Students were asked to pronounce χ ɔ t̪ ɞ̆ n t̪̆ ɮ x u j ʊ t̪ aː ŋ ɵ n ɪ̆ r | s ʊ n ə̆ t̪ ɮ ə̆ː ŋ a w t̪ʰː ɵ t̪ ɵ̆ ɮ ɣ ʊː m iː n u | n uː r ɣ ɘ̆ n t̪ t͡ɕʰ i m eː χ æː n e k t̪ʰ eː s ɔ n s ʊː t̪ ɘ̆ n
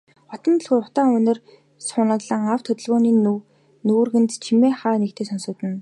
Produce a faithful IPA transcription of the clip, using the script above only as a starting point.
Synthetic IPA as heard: χ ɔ t̪ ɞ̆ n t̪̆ ɮ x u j ʊ t̪ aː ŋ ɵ n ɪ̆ r | s ʊ n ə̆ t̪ ɮ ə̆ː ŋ a w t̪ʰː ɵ t̪ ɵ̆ ɮ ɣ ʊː n iː n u | n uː r ɣ ɘ̆ n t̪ t͡ɕʰ i m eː χ aː n e k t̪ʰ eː s ɔ n s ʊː t̪ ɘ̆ n